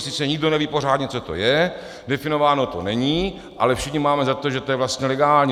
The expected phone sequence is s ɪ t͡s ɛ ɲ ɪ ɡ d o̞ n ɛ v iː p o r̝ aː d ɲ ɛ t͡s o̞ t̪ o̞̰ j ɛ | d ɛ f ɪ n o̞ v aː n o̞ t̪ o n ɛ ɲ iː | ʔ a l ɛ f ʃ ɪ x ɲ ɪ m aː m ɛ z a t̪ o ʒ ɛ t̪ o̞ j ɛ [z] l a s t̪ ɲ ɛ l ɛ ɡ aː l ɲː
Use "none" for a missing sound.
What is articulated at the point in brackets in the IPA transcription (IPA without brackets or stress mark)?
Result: v